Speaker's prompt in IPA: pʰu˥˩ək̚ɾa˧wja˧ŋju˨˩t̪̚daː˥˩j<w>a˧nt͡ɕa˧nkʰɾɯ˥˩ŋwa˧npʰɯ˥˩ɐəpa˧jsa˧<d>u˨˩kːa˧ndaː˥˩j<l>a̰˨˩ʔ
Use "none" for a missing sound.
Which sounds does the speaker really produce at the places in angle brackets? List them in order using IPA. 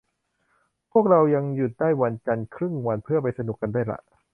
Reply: w, n, l

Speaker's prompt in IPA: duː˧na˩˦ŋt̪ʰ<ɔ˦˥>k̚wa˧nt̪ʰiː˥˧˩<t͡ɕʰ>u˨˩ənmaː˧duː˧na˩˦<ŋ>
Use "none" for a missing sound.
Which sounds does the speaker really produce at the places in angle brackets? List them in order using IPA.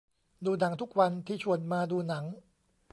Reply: u˦˥, t͡ɕʰ, ŋ

